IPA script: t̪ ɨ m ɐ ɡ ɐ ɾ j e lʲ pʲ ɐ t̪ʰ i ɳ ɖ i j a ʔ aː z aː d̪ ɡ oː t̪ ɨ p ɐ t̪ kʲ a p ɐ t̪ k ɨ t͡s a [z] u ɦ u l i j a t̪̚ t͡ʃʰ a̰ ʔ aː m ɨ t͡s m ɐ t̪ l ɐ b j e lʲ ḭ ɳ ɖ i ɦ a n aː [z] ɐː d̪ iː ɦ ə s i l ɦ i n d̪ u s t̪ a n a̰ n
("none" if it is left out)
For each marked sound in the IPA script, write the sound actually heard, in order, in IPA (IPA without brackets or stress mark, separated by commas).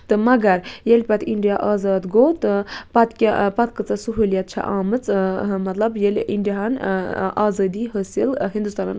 s, z